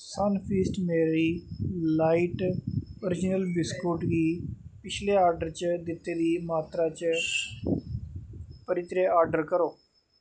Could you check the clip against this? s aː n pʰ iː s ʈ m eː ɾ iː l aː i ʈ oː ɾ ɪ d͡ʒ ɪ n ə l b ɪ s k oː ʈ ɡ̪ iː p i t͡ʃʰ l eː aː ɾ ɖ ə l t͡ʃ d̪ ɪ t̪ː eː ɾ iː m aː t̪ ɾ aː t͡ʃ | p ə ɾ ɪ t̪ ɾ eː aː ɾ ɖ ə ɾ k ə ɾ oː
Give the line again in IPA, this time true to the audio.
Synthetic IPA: s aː n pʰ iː s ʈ m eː ɾ iː l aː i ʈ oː ɾ ɪ d͡ʒ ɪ n ə l b ɪ s k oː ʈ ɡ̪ iː p ɪ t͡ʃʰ l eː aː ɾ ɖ ə ɾ t͡ʃ d̪ ɪ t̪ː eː ɾ iː m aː t̪ ɾ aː t͡ʃ | p ə ɾ ɪ t̪ ɾ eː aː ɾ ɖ ə ɾ k ə ɾ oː